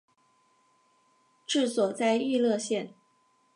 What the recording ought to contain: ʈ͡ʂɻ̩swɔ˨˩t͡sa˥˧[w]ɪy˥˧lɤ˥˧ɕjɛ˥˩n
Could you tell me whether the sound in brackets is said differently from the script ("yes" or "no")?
yes